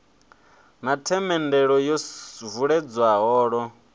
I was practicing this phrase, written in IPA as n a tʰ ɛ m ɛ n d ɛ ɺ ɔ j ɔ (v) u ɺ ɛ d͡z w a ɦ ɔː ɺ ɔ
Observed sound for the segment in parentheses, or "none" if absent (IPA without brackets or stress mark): v